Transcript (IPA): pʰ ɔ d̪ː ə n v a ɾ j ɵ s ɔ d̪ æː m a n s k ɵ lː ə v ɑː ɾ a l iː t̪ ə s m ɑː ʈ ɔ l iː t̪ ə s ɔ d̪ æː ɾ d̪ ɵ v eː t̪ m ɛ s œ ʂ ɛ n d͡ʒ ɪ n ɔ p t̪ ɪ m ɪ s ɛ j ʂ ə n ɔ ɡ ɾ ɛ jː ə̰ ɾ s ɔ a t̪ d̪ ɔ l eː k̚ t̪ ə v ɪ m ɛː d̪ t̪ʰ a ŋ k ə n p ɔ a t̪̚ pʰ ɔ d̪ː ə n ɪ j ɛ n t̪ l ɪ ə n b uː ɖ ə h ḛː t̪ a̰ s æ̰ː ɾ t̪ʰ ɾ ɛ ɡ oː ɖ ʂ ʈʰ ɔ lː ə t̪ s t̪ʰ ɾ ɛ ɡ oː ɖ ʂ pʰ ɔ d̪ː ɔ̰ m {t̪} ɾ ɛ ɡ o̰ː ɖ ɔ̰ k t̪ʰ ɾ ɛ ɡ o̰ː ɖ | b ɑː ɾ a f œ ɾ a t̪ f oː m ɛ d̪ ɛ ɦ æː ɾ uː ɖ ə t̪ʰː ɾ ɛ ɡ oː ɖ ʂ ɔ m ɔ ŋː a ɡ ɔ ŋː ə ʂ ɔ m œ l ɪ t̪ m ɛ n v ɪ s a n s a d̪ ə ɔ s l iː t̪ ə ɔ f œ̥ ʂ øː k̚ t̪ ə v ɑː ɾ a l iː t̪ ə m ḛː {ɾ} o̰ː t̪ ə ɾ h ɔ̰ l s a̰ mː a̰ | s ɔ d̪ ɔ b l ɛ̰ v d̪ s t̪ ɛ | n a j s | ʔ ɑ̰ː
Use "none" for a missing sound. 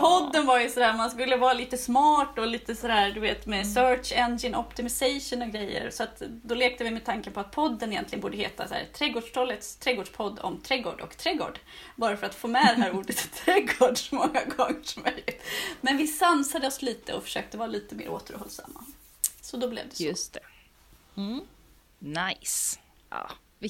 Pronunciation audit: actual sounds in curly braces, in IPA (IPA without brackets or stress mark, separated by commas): t̪ʰ, ɾ